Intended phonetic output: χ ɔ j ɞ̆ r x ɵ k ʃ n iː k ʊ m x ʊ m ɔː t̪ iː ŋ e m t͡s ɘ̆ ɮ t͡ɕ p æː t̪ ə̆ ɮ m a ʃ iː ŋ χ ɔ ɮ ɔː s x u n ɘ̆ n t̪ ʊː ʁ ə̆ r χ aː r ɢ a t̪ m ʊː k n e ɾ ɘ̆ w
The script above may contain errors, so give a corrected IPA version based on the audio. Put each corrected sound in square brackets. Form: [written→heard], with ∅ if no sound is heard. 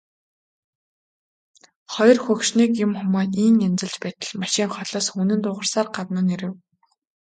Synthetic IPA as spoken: χ ɔ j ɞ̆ r x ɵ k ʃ n iː k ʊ m x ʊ m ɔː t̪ iː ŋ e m t͡s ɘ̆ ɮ t͡ɕ p æː t̪ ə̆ ɮ m a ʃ iː ŋ χ ɔ ɮ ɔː s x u n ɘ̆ n t̪ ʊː ʁ ə̆ r [χ→s] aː r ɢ a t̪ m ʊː [k→∅] n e ɾ ɘ̆ w